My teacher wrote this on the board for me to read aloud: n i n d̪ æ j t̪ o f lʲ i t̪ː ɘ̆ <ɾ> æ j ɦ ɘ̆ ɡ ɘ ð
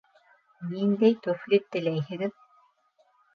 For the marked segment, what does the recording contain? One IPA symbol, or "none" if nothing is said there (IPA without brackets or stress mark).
l